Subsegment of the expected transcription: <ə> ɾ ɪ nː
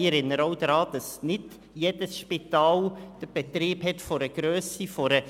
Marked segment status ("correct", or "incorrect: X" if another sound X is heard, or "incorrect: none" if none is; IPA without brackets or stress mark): correct